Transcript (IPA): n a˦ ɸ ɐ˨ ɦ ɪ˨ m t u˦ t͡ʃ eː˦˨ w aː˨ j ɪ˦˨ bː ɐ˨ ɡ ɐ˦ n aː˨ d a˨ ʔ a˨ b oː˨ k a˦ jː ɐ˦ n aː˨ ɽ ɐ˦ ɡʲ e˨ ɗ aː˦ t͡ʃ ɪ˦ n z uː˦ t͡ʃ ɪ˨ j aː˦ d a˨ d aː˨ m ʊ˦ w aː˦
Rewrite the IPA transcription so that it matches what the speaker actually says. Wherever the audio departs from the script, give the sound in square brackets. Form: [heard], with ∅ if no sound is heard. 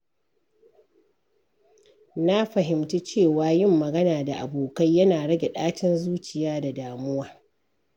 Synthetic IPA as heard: n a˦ ɸ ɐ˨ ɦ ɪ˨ m t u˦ t͡ʃ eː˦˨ w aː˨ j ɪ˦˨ [mː] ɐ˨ ɡ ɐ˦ n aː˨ d a˨ ʔ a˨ b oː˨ k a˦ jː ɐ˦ n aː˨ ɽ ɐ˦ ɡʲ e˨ ɗ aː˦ t͡ʃ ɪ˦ n z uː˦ t͡ʃ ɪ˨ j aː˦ d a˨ d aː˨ m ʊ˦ w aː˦